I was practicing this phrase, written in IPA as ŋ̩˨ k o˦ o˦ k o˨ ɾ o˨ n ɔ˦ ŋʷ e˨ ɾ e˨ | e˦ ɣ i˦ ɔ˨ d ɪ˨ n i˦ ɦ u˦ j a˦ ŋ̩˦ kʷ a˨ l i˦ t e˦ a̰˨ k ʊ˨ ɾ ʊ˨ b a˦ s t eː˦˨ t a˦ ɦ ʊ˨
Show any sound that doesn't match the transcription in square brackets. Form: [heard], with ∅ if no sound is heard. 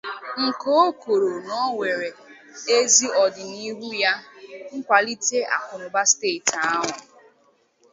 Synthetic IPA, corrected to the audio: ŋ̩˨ k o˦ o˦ k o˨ ɾ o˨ n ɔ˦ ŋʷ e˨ ɾ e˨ | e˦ [z] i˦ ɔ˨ d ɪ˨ n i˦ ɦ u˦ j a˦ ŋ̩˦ kʷ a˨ l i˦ t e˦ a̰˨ k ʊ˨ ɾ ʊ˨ b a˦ s t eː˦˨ t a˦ ɦ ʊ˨